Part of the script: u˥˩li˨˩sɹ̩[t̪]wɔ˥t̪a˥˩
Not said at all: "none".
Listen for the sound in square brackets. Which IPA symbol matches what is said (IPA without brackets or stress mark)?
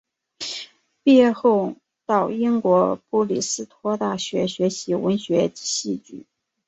t̪ʰ